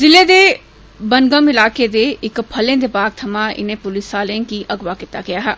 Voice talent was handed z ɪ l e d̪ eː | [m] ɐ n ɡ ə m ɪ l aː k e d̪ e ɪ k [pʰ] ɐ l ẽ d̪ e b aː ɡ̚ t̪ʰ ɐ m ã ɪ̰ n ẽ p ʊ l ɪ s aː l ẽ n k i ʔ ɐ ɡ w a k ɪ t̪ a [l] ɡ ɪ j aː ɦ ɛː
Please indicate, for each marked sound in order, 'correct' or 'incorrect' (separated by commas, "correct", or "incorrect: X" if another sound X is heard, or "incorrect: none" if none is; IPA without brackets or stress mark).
incorrect: b, correct, incorrect: none